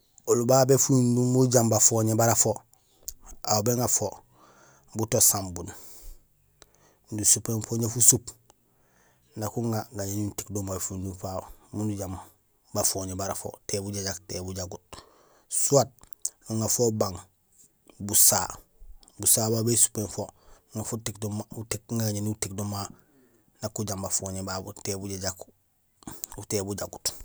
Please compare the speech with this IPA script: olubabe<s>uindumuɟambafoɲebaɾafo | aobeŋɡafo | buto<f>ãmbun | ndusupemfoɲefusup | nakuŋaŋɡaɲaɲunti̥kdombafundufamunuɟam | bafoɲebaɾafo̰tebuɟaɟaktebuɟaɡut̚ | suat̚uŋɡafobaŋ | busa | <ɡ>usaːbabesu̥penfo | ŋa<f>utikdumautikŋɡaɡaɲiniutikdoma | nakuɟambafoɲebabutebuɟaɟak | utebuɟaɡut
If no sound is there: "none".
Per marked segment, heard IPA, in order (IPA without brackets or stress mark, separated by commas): f, s, b, f